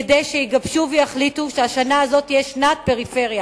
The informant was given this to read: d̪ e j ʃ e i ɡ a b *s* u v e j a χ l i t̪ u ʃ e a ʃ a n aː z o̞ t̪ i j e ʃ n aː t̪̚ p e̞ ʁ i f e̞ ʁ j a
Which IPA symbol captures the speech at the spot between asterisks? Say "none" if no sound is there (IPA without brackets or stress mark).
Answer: ʃ